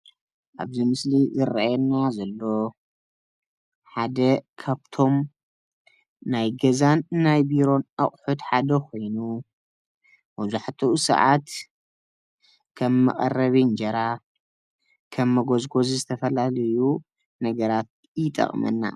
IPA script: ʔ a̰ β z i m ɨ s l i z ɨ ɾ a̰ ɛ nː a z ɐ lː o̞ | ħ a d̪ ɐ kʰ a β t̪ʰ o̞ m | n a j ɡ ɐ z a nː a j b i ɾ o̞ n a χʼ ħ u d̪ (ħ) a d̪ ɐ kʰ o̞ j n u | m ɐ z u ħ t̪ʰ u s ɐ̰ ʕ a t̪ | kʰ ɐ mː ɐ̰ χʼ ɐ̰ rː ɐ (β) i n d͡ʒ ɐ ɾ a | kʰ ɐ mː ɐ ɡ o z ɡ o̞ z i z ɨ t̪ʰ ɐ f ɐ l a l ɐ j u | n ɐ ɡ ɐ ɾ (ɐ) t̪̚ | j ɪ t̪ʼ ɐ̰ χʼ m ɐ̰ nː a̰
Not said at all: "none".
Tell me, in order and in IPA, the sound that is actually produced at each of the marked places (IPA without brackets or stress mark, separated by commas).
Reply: ħ, β, a